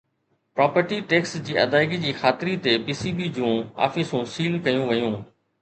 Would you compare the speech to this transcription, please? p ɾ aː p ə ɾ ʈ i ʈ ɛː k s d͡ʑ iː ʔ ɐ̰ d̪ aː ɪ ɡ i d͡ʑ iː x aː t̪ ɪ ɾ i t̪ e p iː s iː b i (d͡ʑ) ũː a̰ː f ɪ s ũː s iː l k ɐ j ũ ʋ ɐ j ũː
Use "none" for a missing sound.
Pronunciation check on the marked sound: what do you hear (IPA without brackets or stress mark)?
d͡ʑ